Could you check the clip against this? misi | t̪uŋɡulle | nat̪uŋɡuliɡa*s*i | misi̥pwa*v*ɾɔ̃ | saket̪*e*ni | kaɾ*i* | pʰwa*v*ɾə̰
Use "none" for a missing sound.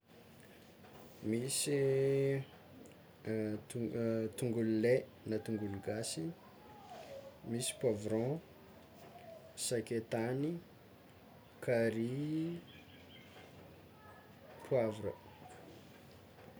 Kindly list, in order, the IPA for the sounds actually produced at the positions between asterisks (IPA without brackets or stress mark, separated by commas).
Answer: s, v, a, i, v